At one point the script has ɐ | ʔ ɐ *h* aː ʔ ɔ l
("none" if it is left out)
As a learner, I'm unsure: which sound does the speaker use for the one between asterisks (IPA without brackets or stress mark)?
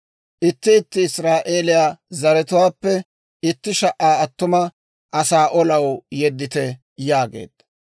s